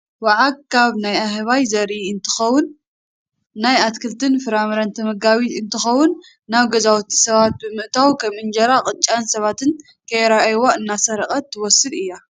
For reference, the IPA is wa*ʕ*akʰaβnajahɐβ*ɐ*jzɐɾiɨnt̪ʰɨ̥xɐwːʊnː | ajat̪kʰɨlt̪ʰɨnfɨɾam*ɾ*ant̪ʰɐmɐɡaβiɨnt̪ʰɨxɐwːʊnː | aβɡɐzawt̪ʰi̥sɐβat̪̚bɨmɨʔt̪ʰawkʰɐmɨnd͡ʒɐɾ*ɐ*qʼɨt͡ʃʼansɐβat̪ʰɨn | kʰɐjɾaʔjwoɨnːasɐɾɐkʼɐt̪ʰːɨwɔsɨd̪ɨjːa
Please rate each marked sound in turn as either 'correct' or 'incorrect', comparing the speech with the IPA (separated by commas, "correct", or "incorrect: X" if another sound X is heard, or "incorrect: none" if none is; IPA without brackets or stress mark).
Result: correct, incorrect: a, correct, incorrect: a